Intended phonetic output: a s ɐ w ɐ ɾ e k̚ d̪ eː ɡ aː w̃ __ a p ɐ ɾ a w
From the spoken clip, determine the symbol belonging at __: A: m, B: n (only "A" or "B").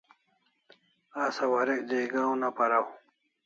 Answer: B